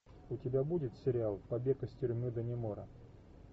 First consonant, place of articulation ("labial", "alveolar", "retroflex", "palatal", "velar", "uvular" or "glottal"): alveolar